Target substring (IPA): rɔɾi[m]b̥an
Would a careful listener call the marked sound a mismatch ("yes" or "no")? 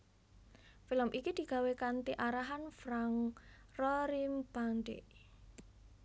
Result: no